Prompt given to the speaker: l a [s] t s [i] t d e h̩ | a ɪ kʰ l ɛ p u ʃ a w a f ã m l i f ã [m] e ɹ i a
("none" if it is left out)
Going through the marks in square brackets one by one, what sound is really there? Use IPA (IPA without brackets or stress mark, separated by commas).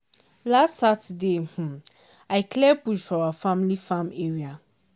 s, a, m